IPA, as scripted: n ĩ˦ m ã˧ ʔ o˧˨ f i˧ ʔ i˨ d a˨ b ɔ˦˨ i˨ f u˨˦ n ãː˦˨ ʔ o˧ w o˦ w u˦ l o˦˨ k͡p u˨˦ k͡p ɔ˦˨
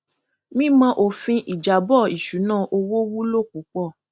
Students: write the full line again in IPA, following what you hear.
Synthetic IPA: m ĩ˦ m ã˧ ʔ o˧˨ f ĩ˧ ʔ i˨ d͡ʒ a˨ b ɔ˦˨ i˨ ʃ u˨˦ n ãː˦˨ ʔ o˧ w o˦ w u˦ l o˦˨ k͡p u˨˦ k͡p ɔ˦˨